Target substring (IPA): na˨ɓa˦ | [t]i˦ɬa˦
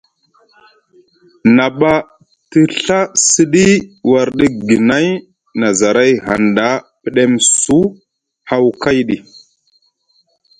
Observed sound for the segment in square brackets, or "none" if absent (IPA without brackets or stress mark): t